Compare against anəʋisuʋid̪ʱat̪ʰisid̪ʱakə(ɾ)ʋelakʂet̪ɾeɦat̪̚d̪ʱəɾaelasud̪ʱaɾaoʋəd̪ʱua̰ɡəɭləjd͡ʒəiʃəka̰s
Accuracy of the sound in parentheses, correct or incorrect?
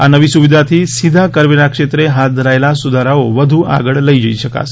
correct